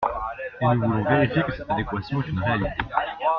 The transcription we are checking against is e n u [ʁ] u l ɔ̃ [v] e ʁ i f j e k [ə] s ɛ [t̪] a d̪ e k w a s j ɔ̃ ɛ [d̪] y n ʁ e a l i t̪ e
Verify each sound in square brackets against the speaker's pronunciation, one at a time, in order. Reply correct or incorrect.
incorrect, correct, correct, correct, incorrect

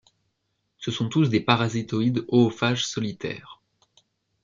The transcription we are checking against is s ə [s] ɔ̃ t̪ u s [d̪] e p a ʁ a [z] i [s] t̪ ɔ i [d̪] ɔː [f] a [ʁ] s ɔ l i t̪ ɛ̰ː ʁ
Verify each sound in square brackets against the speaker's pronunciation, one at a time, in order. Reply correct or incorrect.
correct, correct, correct, incorrect, correct, correct, incorrect

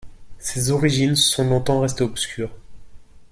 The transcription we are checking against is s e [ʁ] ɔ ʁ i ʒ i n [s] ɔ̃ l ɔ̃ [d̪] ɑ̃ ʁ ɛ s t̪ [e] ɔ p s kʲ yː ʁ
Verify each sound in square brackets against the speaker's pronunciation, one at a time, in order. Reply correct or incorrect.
incorrect, correct, incorrect, correct

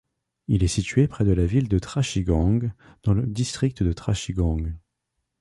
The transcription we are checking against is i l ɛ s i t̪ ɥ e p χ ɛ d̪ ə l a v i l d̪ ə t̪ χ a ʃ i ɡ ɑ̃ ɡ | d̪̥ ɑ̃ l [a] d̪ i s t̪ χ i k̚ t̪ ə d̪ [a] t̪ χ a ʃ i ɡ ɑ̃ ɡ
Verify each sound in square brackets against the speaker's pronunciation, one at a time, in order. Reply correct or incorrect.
incorrect, incorrect

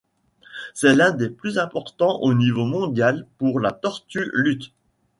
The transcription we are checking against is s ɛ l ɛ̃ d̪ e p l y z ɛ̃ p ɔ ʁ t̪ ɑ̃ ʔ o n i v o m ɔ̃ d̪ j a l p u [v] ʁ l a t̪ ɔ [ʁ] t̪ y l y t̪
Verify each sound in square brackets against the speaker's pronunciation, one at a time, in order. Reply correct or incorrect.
incorrect, correct

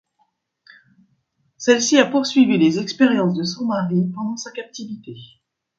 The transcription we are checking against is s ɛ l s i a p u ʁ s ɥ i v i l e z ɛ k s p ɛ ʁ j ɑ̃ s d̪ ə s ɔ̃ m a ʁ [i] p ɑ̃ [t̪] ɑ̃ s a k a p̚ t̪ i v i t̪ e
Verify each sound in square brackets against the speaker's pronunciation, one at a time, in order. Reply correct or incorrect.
correct, incorrect

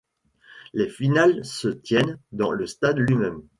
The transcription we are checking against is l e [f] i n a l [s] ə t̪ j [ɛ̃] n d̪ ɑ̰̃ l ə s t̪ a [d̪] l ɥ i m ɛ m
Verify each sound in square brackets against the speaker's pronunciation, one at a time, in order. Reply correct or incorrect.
correct, correct, incorrect, correct

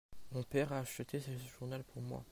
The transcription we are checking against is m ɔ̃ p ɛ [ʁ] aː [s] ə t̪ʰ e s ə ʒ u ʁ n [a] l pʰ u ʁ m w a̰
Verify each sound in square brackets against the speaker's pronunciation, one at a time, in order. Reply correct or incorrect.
correct, incorrect, correct

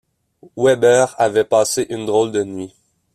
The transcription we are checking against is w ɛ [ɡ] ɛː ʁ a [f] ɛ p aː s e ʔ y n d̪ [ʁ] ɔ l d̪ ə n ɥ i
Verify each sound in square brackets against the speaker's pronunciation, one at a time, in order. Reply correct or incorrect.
incorrect, incorrect, correct

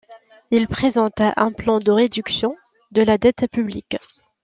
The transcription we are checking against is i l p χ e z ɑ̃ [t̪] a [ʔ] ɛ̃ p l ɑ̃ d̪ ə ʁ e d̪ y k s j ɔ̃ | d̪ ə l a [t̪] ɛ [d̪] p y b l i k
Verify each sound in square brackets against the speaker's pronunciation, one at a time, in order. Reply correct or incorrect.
correct, correct, incorrect, incorrect

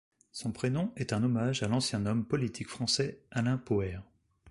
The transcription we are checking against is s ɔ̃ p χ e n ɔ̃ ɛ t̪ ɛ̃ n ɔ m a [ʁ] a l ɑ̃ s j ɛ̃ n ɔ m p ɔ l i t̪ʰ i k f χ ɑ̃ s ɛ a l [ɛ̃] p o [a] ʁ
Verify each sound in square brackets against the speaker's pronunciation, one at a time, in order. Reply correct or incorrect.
incorrect, correct, incorrect

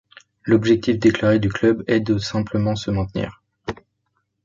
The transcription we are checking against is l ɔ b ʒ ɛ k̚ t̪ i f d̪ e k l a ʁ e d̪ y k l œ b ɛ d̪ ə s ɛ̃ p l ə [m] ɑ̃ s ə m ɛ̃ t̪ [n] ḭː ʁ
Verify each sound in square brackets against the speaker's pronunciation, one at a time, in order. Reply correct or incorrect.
correct, correct

